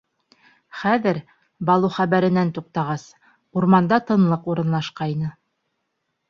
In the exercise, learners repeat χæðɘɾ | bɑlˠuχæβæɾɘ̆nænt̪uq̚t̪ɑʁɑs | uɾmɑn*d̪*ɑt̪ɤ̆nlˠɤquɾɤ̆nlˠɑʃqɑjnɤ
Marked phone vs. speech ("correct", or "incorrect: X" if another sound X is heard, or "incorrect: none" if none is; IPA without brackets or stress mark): correct